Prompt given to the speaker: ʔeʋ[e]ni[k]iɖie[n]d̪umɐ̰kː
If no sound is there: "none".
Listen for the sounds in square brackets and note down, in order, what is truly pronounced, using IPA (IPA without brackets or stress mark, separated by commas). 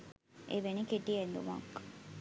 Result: e, k, n